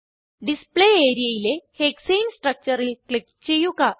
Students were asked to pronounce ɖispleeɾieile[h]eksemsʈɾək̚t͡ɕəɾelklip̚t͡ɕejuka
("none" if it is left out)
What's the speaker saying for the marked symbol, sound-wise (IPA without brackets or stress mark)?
h